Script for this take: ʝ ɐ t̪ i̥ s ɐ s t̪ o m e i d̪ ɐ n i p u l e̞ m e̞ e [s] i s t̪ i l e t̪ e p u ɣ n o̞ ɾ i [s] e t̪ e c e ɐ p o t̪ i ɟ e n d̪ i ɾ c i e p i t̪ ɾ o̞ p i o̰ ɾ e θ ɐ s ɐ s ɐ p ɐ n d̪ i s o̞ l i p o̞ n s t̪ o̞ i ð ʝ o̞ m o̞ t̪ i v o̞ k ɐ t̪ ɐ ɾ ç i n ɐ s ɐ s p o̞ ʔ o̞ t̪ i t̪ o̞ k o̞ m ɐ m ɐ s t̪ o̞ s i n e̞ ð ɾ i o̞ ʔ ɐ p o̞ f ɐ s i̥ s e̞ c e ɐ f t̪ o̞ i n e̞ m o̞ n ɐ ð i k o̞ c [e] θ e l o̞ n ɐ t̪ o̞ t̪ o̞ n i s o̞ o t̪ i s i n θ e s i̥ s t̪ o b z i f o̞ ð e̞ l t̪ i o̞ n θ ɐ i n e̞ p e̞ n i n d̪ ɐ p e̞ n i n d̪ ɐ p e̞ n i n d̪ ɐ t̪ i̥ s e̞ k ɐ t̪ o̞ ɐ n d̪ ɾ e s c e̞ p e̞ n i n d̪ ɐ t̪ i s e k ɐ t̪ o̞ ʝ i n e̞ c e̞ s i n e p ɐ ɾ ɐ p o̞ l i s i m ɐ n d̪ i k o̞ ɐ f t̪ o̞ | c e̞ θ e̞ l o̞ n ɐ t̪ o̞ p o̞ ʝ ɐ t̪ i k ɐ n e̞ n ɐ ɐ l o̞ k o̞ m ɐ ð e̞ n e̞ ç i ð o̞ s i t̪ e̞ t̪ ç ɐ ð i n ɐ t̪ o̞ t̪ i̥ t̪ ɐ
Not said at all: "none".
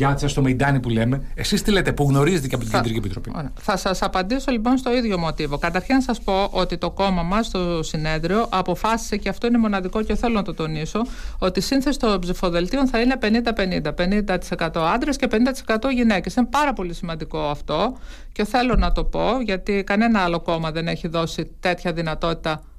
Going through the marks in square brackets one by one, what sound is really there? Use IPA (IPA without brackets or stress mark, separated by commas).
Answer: s, z, e